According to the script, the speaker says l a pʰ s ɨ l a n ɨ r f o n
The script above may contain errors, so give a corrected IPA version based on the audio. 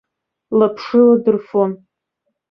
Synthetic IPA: l a pʰ ʂ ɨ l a d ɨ r f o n